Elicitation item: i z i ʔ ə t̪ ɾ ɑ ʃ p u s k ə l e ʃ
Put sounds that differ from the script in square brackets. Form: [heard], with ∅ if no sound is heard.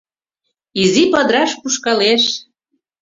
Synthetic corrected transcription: i z i [p] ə [d̪] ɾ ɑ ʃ p u [ʃ] k [ɑ] l e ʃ